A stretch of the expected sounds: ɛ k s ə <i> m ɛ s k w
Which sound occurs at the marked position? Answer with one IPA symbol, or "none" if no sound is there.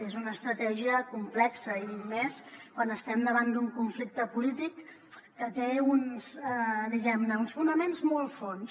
i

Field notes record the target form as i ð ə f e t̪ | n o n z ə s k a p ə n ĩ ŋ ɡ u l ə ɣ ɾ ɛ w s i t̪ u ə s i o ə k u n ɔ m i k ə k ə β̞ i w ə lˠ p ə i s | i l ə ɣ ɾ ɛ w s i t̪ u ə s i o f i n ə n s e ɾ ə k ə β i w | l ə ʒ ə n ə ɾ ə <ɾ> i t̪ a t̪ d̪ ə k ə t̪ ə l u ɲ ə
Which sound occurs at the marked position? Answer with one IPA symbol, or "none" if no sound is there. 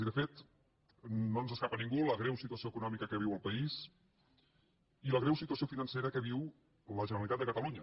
l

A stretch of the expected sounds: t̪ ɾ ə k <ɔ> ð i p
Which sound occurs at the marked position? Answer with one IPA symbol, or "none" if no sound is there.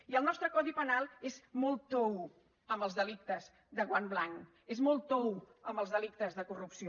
ɔ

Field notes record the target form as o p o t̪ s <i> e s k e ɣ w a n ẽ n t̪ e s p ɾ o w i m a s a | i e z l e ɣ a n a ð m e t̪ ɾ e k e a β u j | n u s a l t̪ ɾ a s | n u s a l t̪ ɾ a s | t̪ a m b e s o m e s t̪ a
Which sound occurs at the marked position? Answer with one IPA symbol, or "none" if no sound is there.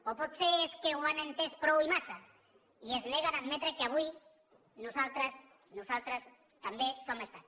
e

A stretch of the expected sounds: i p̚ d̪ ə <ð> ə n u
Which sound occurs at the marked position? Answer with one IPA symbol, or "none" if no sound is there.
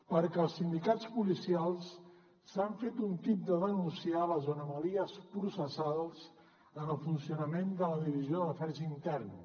ð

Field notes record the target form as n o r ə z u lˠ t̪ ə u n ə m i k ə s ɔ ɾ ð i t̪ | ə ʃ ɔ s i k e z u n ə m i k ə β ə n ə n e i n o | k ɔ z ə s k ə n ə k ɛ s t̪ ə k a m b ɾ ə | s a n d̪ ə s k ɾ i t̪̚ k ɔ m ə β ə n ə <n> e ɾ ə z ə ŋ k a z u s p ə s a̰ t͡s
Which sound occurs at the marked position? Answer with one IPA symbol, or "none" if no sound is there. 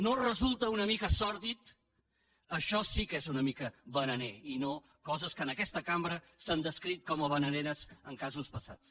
n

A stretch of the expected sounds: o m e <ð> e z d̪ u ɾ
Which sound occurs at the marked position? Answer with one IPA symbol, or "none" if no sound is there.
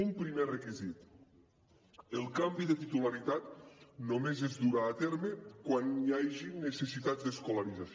z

